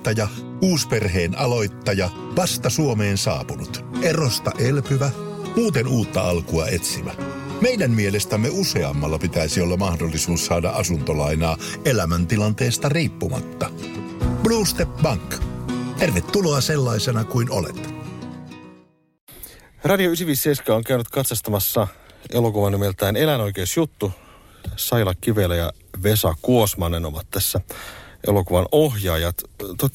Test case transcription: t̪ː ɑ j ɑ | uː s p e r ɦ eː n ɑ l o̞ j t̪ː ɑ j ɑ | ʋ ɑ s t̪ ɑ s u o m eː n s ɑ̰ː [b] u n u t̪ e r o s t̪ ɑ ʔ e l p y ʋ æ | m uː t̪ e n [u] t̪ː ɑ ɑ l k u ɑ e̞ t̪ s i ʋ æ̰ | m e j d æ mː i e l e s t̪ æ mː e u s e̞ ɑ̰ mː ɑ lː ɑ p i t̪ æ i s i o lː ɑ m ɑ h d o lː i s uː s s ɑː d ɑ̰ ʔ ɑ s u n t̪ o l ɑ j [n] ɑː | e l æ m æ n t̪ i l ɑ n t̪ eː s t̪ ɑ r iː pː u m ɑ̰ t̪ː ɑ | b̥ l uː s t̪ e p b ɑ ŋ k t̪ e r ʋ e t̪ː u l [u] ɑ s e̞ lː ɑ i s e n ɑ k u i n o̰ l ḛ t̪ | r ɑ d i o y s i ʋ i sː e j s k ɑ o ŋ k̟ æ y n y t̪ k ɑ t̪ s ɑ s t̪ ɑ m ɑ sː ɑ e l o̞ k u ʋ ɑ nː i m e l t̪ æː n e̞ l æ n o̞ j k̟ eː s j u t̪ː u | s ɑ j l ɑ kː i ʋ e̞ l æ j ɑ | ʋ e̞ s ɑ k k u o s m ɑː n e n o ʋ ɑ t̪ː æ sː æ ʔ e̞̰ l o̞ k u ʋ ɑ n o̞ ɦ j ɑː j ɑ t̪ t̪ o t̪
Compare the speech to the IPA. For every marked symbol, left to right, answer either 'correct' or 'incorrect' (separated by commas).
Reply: incorrect, incorrect, correct, incorrect